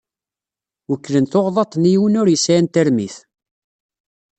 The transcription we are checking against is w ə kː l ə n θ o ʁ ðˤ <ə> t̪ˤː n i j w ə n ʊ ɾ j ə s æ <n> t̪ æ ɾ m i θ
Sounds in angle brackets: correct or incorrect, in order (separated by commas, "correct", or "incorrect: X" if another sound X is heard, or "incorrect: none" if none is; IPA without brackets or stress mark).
incorrect: ɑ, correct